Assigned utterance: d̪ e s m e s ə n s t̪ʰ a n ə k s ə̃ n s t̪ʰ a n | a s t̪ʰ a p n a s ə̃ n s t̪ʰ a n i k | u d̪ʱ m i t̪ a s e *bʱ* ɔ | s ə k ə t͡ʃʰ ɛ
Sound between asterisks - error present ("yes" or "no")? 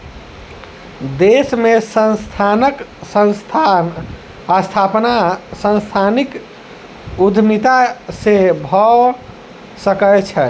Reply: no